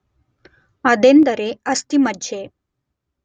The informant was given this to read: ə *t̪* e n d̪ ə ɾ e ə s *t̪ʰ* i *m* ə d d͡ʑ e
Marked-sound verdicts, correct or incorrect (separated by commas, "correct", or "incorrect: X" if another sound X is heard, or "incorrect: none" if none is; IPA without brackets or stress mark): incorrect: d̪, incorrect: t̪, correct